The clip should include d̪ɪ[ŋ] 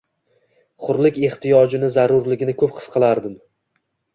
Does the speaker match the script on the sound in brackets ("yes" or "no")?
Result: no